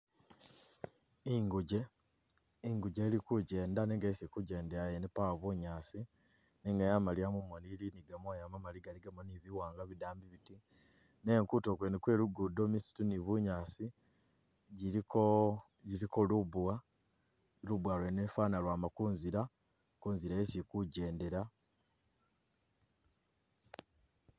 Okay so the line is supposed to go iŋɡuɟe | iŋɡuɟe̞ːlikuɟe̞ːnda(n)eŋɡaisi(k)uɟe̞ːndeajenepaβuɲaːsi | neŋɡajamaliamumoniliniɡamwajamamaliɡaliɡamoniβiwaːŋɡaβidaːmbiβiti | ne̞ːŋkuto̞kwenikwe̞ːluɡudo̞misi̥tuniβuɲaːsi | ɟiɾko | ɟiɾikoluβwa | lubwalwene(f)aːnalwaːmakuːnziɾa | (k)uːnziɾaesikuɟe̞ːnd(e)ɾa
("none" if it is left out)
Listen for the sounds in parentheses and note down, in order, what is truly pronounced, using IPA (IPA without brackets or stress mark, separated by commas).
n, k, f, k, e